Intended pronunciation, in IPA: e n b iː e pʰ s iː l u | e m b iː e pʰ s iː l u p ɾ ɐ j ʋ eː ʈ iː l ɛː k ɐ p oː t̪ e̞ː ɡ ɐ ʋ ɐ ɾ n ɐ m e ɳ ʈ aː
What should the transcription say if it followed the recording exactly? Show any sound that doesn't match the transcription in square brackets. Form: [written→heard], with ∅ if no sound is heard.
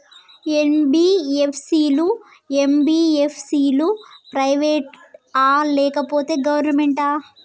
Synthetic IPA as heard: e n b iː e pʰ s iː l u | e m b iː e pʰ s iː l u p ɾ ɐ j ʋ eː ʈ [iː→aː] l ɛː k ɐ p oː t̪ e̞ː ɡ ɐ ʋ ɐ ɾ n ɐ m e ɳ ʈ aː